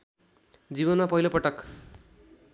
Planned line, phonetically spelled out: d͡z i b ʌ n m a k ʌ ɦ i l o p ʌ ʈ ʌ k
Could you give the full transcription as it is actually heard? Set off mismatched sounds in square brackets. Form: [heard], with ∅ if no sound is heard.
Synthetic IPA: d͡z i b ʌ n m a [p] ʌ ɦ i l o p ʌ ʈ ʌ k